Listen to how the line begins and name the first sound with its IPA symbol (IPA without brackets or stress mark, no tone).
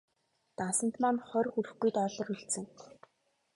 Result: t̪